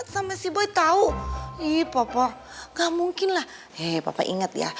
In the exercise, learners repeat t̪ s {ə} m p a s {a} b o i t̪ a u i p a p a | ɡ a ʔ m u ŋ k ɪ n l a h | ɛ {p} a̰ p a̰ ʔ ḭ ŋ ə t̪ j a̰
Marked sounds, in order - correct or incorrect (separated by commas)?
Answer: incorrect, incorrect, correct